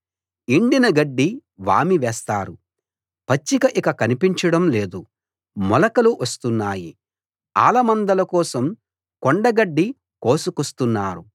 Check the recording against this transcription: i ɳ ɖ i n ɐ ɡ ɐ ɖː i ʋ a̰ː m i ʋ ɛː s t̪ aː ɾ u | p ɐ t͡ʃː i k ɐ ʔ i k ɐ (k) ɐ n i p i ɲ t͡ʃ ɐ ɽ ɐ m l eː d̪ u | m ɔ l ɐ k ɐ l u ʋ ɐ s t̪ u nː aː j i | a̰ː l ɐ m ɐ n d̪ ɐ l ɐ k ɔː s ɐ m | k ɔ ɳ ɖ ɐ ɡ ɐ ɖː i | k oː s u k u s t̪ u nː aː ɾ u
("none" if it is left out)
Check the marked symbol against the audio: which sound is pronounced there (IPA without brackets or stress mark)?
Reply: k